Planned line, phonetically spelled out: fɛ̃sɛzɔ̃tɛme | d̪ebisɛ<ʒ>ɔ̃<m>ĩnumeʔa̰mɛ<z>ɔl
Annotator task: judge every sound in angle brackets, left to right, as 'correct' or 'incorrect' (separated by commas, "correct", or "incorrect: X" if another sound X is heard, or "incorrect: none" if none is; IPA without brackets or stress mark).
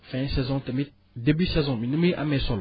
incorrect: z, correct, incorrect: s